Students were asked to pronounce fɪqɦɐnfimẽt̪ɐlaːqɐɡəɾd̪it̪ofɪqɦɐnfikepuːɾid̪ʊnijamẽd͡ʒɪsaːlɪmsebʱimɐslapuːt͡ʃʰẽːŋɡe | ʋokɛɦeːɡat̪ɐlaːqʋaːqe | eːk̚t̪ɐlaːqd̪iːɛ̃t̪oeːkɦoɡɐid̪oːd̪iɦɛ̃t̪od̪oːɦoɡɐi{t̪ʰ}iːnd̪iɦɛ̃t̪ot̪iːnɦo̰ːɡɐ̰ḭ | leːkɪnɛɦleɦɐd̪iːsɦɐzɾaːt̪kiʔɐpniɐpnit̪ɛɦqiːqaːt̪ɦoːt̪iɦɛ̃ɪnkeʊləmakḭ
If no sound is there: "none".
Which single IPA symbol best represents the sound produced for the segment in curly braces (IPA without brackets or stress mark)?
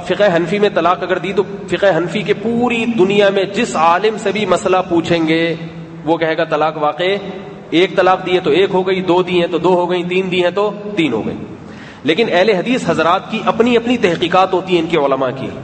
t̪